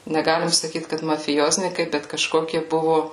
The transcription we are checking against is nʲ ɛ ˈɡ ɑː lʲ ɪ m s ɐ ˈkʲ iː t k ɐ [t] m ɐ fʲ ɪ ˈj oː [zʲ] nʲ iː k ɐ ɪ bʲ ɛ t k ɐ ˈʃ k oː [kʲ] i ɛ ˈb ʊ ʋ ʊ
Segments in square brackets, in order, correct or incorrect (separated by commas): correct, correct, correct